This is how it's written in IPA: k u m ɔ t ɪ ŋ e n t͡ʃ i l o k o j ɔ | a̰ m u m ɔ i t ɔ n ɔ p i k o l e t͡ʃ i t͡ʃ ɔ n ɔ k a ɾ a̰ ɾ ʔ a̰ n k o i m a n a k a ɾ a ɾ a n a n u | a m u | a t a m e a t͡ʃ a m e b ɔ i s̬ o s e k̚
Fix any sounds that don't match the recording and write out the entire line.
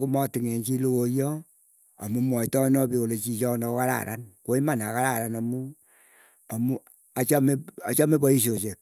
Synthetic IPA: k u m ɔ t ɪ ŋ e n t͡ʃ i l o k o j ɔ | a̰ m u m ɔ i t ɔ n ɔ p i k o l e t͡ʃ i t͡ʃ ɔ n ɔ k a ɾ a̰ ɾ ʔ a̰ n k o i m a n a k a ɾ a ɾ a n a m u | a m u | a t͡ʃ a m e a t͡ʃ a m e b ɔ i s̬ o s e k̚